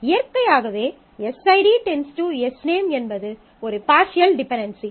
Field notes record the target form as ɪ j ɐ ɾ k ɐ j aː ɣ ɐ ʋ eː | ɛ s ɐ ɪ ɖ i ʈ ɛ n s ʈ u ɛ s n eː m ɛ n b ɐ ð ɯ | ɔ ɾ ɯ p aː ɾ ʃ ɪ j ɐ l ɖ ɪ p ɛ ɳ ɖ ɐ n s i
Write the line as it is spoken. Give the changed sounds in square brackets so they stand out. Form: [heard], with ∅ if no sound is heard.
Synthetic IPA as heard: ɪ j ɐ ɾ k ɐ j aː ɣ ɐ ʋ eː | ɛ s ɐ ɪ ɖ i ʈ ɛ n s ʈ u ɛ s n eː m ɛ n b ɐ ð ɯ | ɔ ɾ ɯ p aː ɾ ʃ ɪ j ɐ l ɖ ɪ p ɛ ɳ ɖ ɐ n s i